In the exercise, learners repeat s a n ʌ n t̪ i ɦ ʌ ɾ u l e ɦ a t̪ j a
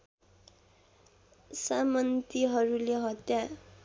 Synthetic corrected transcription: s a m ʌ n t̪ i ɦ ʌ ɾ u l e ɦ ʌ t̪ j a